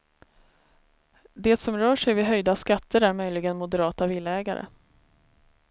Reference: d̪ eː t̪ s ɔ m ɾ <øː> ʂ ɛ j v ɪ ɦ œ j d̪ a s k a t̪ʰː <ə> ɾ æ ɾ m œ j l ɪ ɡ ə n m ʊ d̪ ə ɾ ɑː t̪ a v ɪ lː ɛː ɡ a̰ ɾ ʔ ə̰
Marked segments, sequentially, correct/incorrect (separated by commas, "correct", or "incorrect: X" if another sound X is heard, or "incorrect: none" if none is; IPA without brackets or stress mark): incorrect: œː, correct